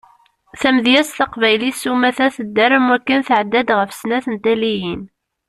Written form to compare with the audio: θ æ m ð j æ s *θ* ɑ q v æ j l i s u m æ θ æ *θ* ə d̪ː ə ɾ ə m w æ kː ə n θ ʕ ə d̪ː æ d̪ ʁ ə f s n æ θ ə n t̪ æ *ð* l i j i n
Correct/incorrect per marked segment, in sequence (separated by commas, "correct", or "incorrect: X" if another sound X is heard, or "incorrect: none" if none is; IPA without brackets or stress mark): correct, correct, incorrect: none